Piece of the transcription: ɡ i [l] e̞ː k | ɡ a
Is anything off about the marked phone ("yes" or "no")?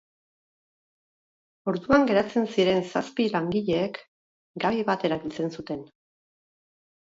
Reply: yes